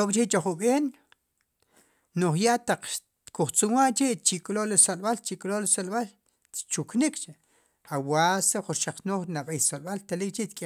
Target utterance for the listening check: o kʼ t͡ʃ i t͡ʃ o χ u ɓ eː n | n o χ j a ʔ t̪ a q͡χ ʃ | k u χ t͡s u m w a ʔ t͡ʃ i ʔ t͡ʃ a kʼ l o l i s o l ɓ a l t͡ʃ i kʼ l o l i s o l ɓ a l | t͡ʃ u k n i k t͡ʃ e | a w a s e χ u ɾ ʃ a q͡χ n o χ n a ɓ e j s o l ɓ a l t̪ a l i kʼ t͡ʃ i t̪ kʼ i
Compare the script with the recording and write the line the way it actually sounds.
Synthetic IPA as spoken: o kʼ t͡ʃ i t͡ʃ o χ u ɓ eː n | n o χ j a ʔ t̪ a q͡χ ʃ | k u χ t͡s u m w a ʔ t͡ʃ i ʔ t͡ʃ i kʼ l o l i s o l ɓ a l t͡ʃ i kʼ l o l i s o l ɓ a l | t͡ʃ u k n i k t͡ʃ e | a w a s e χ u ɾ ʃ a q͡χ n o χ n a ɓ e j s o l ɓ a l t̪ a l i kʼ t͡ʃ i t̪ kʼ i